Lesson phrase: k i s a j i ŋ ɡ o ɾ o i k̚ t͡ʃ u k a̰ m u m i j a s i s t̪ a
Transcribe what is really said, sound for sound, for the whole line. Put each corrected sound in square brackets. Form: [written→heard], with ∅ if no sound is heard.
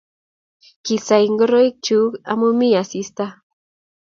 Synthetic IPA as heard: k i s a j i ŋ ɡ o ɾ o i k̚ t͡ʃ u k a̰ m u m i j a s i s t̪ a